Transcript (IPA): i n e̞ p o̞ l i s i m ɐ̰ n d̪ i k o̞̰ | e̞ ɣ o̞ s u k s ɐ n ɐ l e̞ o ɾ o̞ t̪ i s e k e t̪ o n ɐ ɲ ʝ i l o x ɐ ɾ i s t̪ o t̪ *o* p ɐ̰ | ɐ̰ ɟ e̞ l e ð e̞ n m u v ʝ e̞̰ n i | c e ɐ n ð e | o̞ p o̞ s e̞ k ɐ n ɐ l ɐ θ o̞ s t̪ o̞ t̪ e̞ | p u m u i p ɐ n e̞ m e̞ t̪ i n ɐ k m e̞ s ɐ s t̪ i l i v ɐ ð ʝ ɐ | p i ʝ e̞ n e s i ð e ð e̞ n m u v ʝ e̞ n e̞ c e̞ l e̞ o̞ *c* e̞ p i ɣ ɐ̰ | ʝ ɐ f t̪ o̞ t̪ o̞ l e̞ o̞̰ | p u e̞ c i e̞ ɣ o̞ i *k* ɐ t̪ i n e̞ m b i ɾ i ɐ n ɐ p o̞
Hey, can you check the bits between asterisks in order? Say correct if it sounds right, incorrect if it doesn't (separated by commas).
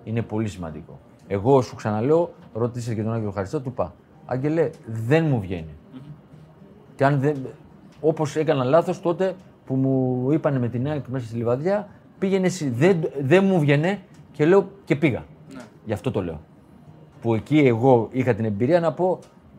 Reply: incorrect, correct, incorrect